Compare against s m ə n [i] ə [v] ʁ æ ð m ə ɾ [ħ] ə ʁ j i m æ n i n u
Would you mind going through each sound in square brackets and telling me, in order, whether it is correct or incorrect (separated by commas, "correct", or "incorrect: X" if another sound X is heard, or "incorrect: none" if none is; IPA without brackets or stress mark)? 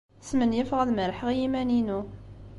incorrect: j, incorrect: f, correct